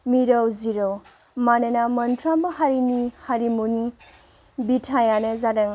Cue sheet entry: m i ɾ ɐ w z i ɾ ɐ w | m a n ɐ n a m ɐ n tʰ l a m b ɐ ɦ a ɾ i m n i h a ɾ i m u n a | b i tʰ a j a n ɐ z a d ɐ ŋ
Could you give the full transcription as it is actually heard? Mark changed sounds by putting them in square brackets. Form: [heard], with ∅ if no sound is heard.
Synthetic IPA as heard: m i ɾ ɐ w z i ɾ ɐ w | m a n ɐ n a m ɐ n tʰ [ɾ] a m b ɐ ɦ a ɾ i [∅] n i h a ɾ i m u n [i] | b i tʰ a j a n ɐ z a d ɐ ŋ